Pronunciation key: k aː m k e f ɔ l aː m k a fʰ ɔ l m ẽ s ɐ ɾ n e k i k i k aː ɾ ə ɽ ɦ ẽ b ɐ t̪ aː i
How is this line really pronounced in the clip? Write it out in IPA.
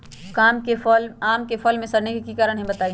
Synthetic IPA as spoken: k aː m k e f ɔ l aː m k e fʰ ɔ l m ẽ s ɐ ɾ n e k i k i k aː ɾ ə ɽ ɦ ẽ b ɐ t̪ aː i